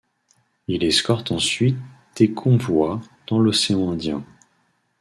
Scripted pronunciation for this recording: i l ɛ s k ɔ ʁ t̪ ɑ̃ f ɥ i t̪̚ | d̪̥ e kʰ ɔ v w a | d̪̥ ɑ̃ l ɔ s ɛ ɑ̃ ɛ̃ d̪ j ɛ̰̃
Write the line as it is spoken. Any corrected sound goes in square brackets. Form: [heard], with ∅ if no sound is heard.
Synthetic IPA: i l ɛ s k ɔ ʁ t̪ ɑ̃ [s] ɥ i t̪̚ | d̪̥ e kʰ [ɔ̃] v w a | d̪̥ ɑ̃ l ɔ s [e] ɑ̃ ɛ̃ d̪ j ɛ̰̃